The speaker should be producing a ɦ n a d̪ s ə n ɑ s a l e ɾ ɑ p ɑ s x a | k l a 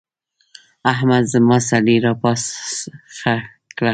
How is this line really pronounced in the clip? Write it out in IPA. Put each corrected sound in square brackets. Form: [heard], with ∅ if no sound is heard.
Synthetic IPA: a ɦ [m] a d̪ [z] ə [m] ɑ s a l [i] ɾ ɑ p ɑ s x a | k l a